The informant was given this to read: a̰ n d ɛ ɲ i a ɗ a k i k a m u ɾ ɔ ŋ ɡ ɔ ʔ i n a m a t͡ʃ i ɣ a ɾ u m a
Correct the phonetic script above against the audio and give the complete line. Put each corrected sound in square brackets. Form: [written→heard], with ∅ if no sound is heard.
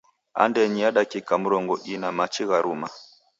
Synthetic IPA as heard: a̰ n d ɛ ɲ i a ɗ a k i k a m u ɾ ɔ ŋ ɡ ɔ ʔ i n a m a t͡ʃ i ɣ a ɾ u m a